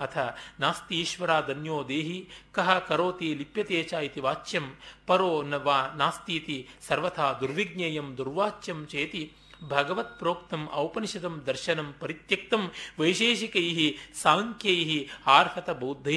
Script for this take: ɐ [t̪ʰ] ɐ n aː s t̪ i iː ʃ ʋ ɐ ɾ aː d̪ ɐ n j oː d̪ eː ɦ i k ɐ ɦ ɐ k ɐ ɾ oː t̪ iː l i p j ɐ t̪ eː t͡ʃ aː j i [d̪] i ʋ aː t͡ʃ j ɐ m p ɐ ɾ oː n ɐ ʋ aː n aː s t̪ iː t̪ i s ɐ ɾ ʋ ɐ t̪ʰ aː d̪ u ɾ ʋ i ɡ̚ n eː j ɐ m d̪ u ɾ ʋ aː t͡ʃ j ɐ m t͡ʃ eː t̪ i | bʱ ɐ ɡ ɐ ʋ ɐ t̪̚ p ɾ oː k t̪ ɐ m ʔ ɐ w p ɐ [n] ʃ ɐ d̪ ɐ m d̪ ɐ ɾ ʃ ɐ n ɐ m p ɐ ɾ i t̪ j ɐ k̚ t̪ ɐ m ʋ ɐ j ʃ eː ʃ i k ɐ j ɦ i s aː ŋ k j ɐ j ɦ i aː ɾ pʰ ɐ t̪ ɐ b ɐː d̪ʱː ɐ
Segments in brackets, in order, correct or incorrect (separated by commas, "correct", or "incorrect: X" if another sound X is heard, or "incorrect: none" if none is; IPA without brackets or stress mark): correct, incorrect: t̪, correct